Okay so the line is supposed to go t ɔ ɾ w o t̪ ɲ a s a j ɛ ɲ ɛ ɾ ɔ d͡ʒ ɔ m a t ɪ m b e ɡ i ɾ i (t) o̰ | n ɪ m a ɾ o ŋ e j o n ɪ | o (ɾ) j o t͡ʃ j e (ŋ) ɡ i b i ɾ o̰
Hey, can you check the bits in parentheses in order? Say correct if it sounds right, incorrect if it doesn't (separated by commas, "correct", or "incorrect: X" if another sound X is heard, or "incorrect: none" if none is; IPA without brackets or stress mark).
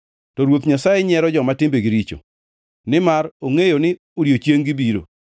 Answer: incorrect: t͡ʃ, correct, correct